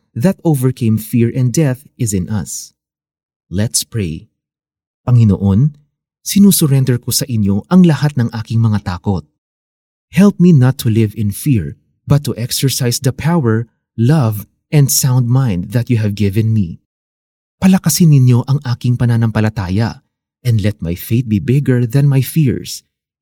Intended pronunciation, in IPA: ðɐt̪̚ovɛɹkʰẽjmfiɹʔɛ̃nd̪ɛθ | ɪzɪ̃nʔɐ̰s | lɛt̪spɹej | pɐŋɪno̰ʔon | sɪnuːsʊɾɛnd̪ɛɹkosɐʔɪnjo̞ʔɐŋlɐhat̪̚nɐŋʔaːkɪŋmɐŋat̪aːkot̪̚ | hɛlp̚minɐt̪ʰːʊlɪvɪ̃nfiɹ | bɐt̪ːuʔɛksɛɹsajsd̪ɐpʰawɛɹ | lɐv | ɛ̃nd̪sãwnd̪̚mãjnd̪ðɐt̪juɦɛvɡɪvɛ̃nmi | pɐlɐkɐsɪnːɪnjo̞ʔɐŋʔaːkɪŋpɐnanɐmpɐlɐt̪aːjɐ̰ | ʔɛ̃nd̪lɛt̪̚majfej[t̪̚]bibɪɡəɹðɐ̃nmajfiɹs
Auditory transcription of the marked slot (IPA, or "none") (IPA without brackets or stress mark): t̪̚